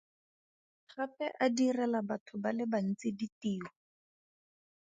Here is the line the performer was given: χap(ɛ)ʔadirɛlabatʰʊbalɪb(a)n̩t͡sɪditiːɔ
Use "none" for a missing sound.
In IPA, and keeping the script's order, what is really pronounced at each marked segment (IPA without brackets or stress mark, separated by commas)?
ɛ, a